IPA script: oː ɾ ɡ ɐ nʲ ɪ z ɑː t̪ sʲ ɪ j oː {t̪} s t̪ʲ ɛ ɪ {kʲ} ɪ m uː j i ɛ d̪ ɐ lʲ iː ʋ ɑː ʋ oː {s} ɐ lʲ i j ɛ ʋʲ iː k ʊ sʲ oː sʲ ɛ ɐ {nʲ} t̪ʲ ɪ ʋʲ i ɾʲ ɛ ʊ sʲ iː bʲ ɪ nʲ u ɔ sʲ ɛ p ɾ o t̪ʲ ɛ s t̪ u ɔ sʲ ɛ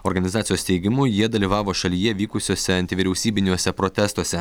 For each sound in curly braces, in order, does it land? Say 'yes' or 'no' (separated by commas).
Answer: no, no, no, yes